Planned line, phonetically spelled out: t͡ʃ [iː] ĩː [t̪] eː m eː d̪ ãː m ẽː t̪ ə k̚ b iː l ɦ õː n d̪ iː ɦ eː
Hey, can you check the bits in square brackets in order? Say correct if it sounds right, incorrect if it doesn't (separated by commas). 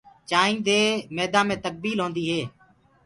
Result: incorrect, incorrect